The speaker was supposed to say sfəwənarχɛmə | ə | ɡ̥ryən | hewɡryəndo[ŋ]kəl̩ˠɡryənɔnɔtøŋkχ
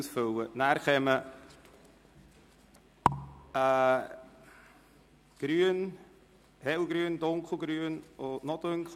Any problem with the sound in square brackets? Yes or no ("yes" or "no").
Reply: no